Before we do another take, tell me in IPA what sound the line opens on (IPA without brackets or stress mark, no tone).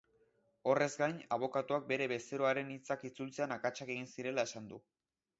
o̞